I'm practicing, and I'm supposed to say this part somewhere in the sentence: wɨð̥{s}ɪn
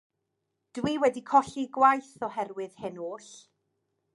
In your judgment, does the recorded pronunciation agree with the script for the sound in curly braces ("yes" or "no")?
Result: no